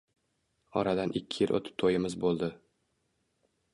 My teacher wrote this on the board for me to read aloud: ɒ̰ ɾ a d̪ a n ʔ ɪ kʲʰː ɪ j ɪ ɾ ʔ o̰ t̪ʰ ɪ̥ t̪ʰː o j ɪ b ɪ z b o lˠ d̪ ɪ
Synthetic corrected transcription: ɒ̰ ɾ a d̪ a n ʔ ɪ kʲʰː ɪ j ɪ l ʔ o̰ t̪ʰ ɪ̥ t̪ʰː o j ɪ m ɪ z b o lˠ d̪ ɪ